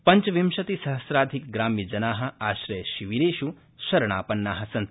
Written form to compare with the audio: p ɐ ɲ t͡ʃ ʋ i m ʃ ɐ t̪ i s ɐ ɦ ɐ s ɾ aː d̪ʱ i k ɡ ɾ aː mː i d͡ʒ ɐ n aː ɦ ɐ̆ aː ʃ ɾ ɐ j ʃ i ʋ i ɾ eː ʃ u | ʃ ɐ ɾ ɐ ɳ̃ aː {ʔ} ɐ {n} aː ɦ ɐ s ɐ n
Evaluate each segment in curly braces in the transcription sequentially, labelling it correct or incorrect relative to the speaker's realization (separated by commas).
incorrect, incorrect